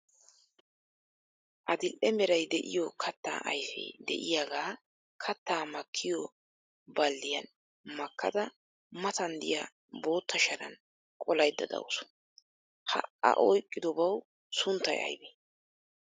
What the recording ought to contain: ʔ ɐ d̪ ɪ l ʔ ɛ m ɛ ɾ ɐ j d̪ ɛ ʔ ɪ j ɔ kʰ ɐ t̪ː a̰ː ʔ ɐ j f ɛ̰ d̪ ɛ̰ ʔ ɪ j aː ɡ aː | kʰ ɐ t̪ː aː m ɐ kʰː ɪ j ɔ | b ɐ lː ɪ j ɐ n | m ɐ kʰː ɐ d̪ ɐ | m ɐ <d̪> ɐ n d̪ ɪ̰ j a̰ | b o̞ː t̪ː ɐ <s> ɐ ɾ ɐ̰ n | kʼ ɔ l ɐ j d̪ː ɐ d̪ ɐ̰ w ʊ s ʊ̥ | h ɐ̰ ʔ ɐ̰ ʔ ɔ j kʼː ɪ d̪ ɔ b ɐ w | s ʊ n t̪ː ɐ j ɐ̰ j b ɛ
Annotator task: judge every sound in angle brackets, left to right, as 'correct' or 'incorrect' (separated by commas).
incorrect, incorrect